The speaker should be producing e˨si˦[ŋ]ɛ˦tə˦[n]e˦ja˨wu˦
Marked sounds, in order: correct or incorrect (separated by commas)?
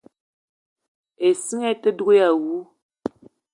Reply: correct, incorrect